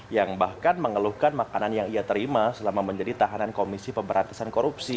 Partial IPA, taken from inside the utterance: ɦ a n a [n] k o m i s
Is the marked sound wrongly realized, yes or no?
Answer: no